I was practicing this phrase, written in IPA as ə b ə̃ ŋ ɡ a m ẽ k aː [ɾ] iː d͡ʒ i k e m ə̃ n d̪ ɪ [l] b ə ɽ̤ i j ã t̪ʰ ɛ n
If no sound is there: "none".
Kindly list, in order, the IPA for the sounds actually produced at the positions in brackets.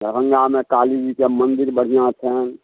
l, ɾ

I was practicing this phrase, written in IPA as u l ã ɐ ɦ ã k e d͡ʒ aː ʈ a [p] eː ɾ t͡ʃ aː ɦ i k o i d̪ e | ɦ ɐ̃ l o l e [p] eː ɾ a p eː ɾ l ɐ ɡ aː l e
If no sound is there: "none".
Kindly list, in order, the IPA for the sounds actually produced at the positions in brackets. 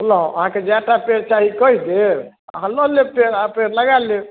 p, p

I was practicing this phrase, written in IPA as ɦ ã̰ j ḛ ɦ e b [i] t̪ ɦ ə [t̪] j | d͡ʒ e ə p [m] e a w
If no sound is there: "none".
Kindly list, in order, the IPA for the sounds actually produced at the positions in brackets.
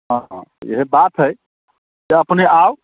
a, none, n

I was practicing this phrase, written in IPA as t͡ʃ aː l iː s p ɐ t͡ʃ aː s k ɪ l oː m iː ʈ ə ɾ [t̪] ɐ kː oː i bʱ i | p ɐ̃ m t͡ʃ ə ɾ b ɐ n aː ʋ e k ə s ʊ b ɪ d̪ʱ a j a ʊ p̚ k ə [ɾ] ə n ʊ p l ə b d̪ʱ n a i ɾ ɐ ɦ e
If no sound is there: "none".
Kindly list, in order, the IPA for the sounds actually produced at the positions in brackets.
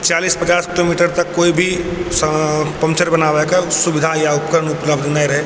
t̪, ɾ

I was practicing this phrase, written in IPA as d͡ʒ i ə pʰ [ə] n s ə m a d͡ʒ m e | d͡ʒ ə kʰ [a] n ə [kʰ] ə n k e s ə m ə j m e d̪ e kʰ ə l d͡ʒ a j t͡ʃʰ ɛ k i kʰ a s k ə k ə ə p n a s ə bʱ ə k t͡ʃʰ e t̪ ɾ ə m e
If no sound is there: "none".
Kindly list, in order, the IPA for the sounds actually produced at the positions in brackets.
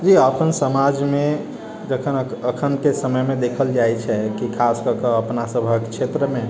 ə, ə, kʰ

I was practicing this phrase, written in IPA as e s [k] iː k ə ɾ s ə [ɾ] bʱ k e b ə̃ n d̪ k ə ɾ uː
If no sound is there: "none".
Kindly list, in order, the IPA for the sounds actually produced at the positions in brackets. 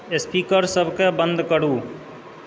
p, none

